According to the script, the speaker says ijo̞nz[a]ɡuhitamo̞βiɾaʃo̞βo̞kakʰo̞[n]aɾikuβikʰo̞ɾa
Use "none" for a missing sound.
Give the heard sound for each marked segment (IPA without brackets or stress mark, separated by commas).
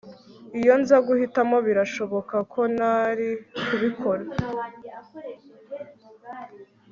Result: a, n